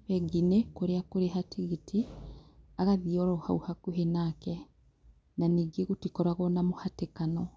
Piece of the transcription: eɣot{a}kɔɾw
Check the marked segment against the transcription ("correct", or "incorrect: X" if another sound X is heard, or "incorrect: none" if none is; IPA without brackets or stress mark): incorrect: i